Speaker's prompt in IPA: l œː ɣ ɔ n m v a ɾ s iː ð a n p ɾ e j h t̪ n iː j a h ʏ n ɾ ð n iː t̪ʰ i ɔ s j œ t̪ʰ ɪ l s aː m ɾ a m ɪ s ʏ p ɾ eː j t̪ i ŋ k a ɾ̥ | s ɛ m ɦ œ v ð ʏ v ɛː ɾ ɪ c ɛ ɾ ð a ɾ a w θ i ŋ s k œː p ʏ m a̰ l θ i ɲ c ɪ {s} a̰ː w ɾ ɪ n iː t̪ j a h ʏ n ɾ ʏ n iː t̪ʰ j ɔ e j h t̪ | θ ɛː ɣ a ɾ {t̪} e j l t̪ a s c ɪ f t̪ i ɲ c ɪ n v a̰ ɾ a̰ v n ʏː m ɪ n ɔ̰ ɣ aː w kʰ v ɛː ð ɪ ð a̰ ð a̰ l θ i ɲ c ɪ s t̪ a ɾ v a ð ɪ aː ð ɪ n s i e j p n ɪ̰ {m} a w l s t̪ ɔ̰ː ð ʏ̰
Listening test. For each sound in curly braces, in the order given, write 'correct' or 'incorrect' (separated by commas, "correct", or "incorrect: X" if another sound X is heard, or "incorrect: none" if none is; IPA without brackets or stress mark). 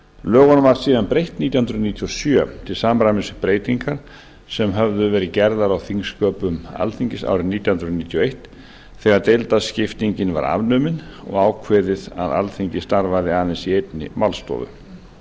correct, correct, correct